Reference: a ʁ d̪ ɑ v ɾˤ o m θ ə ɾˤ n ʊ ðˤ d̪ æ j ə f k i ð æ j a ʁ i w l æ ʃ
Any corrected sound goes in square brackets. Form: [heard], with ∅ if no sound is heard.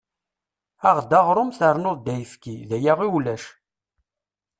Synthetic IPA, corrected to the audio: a ʁ d̪ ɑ [ʁ] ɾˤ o m θ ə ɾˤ n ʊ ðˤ d̪ æ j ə f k i ð æ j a ʁ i w l æ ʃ